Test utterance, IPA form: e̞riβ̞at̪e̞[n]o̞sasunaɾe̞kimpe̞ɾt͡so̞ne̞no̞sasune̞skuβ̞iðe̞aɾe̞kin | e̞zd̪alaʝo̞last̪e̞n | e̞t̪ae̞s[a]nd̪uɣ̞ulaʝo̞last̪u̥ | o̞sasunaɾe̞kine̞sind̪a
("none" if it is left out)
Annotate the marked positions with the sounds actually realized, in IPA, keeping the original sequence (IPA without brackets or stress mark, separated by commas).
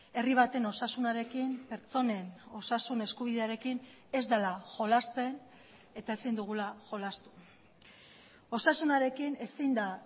n, i